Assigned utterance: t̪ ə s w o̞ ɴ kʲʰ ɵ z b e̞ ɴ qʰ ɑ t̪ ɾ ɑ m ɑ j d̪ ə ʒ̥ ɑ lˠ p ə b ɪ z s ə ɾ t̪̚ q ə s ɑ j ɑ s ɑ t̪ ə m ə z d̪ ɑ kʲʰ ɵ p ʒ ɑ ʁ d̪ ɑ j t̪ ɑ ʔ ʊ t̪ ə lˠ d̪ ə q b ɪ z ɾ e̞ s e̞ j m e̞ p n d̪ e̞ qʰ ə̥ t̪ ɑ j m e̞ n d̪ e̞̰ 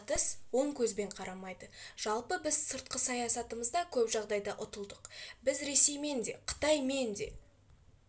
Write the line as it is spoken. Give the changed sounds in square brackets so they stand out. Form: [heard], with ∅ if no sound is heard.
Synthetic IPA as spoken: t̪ ə s w o̞ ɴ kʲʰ ɵ z b e̞ ɴ qʰ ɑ [∅] ɾ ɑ m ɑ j d̪ ə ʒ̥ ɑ lˠ p ə b ɪ z s ə ɾ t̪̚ q ə s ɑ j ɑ s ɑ t̪ ə m ə z d̪ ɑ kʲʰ ɵ p ʒ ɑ ʁ d̪ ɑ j [d̪] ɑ ʔ ʊ t̪ ə lˠ d̪ ə q b ɪ z ɾ e̞ s e̞ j m e̞ [∅] n d̪ e̞ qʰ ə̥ t̪ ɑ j m e̞ n d̪ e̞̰

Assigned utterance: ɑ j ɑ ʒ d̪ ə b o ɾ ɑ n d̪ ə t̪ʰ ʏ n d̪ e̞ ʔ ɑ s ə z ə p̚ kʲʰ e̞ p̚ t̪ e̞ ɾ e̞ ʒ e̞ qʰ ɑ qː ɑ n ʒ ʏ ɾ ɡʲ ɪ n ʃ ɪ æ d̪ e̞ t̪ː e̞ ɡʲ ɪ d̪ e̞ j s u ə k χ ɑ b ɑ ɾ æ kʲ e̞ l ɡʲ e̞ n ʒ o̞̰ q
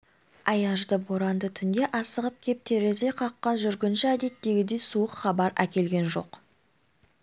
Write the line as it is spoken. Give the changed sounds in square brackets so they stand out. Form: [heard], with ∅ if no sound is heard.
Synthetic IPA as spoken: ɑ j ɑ ʒ d̪ ə b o ɾ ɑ n d̪ ə t̪ʰ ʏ n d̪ e̞ ʔ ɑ s ə [ʁ] ə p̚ kʲʰ e̞ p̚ [t̪ʰ] e̞ ɾ e̞ [z] e̞ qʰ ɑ qː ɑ n ʒ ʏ ɾ ɡʲ ɪ n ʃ ɪ æ d̪ e̞ t̪ː e̞ ɡʲ ɪ d̪ e̞ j s u ə [q] χ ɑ b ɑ ɾ æ kʲ e̞ l ɡʲ e̞ n ʒ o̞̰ q

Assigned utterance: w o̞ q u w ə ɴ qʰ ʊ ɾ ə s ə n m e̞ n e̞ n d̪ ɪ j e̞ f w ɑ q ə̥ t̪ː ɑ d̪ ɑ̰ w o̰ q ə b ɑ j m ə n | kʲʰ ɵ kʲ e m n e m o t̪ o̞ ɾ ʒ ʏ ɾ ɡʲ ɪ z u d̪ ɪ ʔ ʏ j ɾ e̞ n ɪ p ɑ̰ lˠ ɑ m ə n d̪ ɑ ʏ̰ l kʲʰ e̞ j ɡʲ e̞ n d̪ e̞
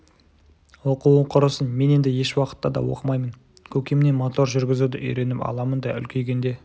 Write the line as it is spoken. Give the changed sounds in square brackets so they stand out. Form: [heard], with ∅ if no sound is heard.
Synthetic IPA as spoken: w o̞ q u w ə ɴ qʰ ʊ ɾ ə s ə n m e̞ n e̞ n d̪ ɪ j e̞ [ʃ] w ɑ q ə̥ t̪ː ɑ d̪ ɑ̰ w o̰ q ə [m] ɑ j m ə n | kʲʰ ɵ kʲ e m n e m o t̪ o̞ ɾ ʒ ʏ ɾ ɡʲ ɪ z u d̪ ɪ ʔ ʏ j ɾ e̞ n ɪ p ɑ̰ lˠ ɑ m ə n d̪ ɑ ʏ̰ l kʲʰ e̞ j ɡʲ e̞ n d̪ e̞

